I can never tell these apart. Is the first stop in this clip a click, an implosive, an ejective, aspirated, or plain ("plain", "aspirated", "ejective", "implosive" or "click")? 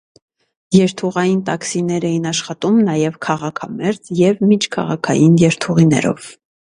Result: aspirated